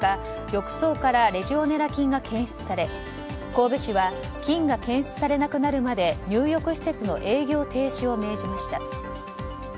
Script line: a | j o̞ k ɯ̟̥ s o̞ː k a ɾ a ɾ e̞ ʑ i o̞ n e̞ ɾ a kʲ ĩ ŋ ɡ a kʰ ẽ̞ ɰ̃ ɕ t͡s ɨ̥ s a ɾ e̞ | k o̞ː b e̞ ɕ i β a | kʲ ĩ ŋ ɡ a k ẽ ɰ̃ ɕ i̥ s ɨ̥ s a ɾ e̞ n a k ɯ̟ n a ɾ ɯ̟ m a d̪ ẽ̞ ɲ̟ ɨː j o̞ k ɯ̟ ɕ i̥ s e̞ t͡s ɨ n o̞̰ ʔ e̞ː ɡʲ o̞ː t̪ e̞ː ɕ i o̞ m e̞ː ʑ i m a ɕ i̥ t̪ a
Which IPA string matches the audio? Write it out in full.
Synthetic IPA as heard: a | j o̞ k ɯ̟̥ s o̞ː k a ɾ a ɾ e̞ ʑ i o̞ n e̞ ɾ a kʲ ĩ ŋ ɡ a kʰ ẽ̞ ɰ̃ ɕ t͡s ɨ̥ s a ɾ e̞ | k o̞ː b e̞ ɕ i β a | kʲ ĩ ŋ ɡ a k ẽ ɰ̃ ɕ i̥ t͡s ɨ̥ s a ɾ e̞ n a k ɯ̟ n a ɾ ɯ̟ m a d̪ e̞ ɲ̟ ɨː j o̞ k ɯ̟ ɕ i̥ s e̞ t͡s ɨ n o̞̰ ʔ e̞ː ɡʲ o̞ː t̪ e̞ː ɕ i o̞ m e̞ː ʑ i m a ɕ i̥ t̪ a